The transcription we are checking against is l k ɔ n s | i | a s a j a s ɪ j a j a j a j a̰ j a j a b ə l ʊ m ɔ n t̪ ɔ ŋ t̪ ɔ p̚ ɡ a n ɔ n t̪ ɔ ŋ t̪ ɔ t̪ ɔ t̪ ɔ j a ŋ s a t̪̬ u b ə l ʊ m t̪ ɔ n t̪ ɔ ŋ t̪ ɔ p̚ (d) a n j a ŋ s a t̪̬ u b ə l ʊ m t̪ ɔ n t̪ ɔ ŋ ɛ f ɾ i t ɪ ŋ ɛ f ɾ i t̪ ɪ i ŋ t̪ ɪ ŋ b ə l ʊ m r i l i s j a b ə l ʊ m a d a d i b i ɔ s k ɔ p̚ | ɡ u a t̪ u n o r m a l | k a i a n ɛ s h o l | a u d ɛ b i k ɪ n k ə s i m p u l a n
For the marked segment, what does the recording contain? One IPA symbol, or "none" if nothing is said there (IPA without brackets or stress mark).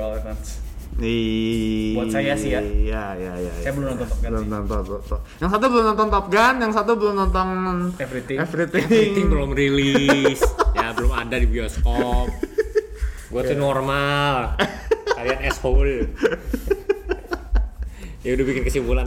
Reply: ɡ